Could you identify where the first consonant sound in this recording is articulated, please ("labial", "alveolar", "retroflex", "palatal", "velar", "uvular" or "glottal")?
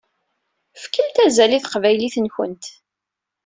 labial